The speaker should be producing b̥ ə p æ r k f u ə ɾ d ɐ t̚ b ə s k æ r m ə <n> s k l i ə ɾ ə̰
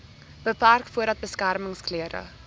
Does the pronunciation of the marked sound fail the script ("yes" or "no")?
yes